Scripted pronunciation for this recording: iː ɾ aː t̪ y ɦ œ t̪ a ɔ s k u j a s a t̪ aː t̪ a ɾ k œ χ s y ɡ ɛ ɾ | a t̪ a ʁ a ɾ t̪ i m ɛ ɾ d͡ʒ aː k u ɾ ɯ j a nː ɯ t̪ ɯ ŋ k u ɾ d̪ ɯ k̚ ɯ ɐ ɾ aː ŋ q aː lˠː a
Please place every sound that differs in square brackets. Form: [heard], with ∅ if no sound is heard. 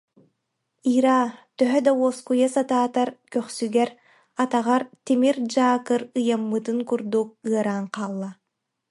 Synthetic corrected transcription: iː ɾ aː t̪ [œ] ɦ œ [d̪] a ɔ s k u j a s a t̪ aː t̪ a ɾ k œ χ s y ɡ ɛ ɾ | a t̪ a ʁ a ɾ t̪ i m [i] ɾ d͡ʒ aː k [ɯ] ɾ ɯ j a [mː] ɯ t̪ ɯ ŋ k u ɾ d̪ [u] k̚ ɯ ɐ ɾ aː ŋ q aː lˠː a